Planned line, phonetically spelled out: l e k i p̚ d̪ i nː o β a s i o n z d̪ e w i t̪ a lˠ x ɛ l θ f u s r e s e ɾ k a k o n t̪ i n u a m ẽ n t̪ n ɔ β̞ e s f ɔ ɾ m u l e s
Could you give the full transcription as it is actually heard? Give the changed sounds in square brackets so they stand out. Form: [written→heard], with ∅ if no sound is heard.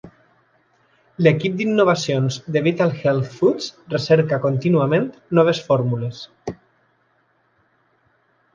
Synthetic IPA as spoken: l e k i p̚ d̪ i nː o β a s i o n z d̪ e [w→β] i t̪ a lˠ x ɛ l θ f u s r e s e ɾ k a k o n t̪ i n u a m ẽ n t̪ n ɔ β̞ e s f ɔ ɾ m u l e s